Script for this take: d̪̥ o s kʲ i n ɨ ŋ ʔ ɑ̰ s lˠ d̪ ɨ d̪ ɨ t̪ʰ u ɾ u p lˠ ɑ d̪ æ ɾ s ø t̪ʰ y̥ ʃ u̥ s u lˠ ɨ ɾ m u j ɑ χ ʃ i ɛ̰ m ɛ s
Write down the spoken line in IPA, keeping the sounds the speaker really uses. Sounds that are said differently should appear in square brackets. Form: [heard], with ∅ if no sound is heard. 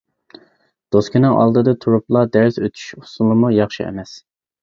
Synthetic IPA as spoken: d̪̥ o s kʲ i n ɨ ŋ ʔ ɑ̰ [∅] lˠ d̪ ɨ d̪ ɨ t̪ʰ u ɾ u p lˠ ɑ d̪ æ ɾ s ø t̪ʰ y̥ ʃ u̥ s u lˠ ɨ [∅] m u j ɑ χ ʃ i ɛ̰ m ɛ s